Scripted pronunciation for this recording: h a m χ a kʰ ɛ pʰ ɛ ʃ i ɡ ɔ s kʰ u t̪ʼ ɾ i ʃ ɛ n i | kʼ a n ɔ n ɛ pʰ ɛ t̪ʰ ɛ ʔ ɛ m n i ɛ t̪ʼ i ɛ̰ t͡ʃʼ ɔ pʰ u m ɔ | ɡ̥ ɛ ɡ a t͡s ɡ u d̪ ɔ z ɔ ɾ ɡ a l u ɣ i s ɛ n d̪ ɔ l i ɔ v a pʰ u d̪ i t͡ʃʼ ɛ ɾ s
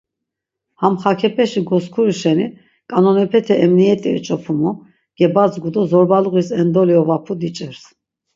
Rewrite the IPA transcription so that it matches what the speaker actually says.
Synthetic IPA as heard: h a m χ a kʰ ɛ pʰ ɛ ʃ i ɡ ɔ s kʰ u ɾ i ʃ ɛ n i | kʼ a n ɔ n ɛ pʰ ɛ t̪ʰ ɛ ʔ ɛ m n i ɛ t̪ʼ i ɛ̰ t͡ʃʼ ɔ pʰ u m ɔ | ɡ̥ ɛ b a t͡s ɡ u d̪ ɔ z ɔ ɾ b a l u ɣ i s ɛ n d̪ ɔ l i ɔ v a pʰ u d̪ i t͡ʃʼ ɛ ɾ s